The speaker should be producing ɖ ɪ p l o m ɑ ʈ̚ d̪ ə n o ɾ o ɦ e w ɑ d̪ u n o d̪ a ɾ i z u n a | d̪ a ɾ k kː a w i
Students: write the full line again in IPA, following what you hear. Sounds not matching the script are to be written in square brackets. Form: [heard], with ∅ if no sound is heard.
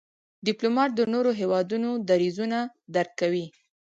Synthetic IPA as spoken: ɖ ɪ p l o m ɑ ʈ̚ d̪ ə n o ɾ o ɦ e w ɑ d̪ u n o d̪ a ɾ i z u n a | d̪ a ɾ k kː a w i